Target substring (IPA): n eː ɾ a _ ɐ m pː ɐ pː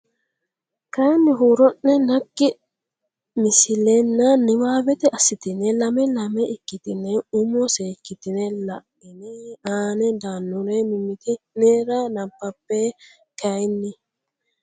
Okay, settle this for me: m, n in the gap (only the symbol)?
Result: n